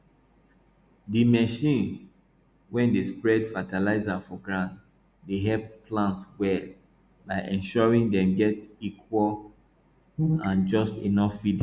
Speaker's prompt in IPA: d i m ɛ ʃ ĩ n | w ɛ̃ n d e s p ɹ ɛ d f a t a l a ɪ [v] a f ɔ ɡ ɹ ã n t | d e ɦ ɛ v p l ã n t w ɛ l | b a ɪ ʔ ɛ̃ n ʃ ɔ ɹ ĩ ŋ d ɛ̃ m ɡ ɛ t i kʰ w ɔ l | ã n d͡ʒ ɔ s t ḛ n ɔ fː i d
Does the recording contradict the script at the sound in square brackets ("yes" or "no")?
yes